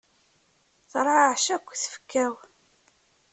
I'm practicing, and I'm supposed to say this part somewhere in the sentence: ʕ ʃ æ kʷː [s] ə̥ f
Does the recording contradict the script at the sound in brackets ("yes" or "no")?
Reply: yes